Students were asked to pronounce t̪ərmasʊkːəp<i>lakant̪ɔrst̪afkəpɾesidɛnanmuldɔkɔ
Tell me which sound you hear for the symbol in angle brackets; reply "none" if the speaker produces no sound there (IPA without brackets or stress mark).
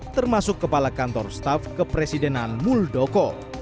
a